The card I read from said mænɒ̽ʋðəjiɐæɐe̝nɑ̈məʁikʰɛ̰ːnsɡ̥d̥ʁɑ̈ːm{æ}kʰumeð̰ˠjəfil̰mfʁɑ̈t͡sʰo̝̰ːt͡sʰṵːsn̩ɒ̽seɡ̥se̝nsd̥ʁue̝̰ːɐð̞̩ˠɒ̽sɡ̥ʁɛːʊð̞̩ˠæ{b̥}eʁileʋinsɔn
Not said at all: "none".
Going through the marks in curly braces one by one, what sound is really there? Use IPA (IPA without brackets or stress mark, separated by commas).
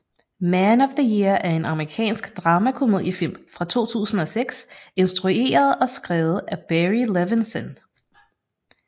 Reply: æ, b̥